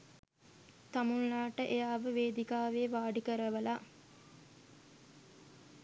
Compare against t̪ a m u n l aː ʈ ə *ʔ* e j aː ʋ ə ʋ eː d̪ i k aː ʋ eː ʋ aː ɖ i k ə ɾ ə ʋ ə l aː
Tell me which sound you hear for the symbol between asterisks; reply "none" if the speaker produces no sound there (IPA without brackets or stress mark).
ʔ